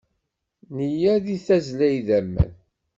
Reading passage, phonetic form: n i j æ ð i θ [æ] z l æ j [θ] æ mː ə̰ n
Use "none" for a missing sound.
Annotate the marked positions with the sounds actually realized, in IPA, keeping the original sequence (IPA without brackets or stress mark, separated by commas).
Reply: æ, ð